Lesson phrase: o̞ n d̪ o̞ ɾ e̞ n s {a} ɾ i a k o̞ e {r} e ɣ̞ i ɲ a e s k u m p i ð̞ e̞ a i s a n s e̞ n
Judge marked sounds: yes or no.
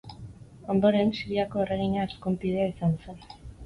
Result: no, yes

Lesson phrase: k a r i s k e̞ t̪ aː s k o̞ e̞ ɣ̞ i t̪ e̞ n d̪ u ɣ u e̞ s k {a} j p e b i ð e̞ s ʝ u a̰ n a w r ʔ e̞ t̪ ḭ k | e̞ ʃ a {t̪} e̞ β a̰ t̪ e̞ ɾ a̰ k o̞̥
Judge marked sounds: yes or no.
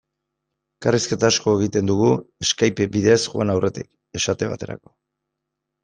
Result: yes, yes

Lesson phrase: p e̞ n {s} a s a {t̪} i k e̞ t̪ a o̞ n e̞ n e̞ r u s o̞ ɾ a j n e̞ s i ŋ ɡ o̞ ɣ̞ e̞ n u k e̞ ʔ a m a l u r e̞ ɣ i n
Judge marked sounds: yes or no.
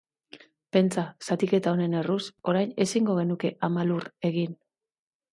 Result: no, yes

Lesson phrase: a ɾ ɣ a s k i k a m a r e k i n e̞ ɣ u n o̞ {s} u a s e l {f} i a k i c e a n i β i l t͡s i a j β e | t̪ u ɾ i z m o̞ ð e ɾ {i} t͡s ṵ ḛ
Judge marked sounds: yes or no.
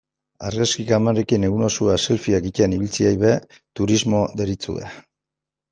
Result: yes, yes, yes

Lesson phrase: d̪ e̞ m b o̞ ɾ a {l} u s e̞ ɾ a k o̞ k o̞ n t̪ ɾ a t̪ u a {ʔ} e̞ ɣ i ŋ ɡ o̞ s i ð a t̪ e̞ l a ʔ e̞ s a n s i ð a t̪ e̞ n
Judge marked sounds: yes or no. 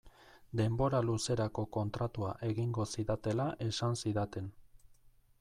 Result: yes, yes

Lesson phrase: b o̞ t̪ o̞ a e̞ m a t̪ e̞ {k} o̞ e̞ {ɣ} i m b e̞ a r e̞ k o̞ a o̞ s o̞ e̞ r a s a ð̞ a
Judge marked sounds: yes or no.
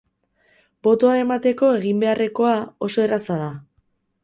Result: yes, yes

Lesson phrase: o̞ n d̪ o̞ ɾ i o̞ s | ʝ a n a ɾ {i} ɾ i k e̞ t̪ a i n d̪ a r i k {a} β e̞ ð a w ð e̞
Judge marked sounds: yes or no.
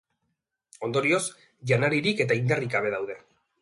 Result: yes, yes

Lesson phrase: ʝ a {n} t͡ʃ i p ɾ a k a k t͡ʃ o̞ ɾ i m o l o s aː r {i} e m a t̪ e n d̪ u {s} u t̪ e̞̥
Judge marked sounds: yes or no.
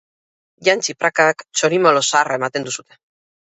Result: yes, no, yes

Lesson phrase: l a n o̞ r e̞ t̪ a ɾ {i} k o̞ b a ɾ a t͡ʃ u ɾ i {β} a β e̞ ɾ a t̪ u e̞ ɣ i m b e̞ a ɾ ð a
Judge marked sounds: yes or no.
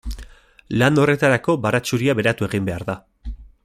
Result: no, no

